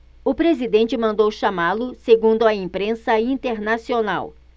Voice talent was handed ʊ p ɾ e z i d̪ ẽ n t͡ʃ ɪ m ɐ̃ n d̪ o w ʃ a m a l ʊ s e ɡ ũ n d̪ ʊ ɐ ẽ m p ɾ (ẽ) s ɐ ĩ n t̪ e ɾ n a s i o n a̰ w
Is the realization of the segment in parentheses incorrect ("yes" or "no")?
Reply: no